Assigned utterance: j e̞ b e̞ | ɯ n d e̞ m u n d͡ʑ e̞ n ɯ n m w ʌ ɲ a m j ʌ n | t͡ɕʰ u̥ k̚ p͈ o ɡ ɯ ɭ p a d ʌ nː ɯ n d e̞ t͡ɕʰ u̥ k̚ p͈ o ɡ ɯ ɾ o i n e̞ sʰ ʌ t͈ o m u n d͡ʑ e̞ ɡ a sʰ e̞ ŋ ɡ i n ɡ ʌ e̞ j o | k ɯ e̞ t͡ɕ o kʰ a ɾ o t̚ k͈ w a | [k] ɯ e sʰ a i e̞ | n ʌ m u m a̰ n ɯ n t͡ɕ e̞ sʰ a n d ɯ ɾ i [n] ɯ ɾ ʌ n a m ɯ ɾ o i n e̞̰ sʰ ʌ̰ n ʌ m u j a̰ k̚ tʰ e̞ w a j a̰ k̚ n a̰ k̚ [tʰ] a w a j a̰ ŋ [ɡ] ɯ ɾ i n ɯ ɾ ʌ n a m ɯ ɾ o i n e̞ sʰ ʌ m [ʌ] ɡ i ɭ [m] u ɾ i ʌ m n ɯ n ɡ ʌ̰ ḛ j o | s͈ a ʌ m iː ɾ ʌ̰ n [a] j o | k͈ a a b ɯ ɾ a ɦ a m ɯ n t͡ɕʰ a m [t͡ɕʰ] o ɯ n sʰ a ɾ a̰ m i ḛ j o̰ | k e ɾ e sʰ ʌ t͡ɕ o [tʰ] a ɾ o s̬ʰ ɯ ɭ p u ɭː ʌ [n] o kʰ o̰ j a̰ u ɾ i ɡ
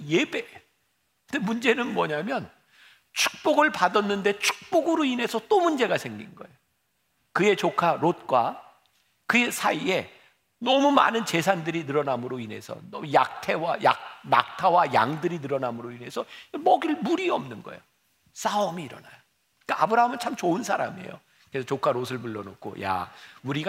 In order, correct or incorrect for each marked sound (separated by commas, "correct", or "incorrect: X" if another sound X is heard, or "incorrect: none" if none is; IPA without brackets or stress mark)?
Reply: correct, correct, correct, incorrect: d, correct, correct, correct, incorrect: t͡ɕ, incorrect: kʰ, correct